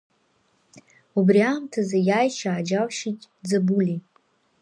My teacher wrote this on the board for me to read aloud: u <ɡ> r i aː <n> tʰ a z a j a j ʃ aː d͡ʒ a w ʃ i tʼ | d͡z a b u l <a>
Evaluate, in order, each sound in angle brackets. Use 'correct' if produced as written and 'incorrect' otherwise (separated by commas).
incorrect, incorrect, incorrect